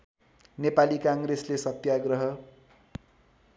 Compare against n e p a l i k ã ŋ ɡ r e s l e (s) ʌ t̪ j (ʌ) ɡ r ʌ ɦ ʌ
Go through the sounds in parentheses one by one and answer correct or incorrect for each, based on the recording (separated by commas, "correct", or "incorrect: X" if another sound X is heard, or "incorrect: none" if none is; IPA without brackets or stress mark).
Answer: correct, incorrect: a